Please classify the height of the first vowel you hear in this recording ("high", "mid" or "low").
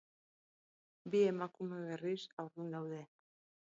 high